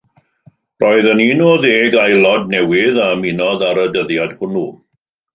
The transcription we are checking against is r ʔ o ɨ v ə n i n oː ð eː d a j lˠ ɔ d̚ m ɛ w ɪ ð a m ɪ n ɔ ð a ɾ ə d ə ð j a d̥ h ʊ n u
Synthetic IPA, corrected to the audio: r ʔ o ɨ ð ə n i n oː ð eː ɡ a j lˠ ɔ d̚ n ɛ w ɪ ð a m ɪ n ɔ ð a ɾ ə d ə ð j a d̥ h ʊ n u